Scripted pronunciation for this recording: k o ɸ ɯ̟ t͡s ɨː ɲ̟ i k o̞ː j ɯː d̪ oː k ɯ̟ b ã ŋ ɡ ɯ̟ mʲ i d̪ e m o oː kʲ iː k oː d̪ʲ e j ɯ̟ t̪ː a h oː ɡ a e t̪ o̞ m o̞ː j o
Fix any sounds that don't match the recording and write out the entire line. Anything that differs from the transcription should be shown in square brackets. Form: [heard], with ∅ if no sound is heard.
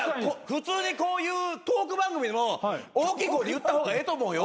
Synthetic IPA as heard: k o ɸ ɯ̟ t͡s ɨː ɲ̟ i k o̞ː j ɯː [t̪] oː k ɯ̟ b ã ŋ ɡ ɯ̟ mʲ i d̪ e m o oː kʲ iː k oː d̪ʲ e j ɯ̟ t̪ː a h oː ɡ a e t̪ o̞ m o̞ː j o